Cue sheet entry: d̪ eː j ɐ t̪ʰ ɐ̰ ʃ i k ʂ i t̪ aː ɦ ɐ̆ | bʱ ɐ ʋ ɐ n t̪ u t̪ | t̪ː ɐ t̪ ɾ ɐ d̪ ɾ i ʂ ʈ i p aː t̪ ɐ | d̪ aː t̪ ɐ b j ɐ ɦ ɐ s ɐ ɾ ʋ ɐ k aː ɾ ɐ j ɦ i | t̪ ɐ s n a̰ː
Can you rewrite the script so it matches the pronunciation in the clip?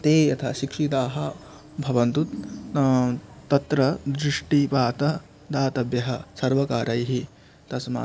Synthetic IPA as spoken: t̪ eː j ɐ t̪ʰ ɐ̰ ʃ i k ʂ i t̪ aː ɦ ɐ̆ | bʱ ɐ ʋ ɐ n t̪ u t̪ | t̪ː ɐ t̪ ɾ ɐ d̪ ɾ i ʂ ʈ i p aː t̪ ɐ | d̪ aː t̪ ɐ b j ɐ ɦ ɐ s ɐ ɾ ʋ ɐ k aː ɾ ɐ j ɦ i | t̪ ɐ s m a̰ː